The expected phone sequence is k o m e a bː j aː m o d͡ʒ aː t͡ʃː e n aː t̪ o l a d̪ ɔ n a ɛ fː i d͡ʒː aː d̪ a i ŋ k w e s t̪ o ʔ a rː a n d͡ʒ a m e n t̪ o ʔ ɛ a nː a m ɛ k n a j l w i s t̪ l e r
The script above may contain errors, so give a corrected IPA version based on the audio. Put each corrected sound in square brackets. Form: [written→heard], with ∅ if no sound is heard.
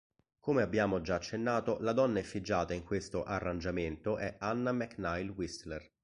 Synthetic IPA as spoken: k o m e a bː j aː m o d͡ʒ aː t͡ʃː e [n→nː] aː t̪ o l a d̪ ɔ [n→nː] a ɛ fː i d͡ʒː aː [d̪→t̪] a i ŋ k w e s t̪ o ʔ a rː a n d͡ʒ a m e n t̪ o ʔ ɛ a nː a m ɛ k n a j l w i s t̪ l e r